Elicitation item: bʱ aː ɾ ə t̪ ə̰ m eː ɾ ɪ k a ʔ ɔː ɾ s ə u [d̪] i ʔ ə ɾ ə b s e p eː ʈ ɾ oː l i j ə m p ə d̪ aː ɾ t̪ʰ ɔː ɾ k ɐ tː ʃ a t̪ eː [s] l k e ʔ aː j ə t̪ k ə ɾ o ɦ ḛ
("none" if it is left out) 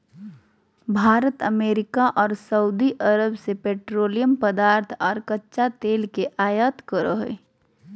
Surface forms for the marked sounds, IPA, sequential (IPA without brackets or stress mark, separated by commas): d̪, none